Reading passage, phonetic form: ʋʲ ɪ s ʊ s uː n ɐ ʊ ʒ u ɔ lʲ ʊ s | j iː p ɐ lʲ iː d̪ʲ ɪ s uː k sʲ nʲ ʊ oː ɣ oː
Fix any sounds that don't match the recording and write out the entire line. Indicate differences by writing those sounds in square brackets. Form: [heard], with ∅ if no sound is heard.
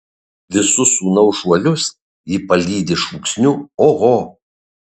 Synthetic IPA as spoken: ʋʲ ɪ s ʊ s uː n ɐ ʊ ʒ u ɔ lʲ ʊ s | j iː p ɐ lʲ iː d̪ʲ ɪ [ʃ] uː k sʲ nʲ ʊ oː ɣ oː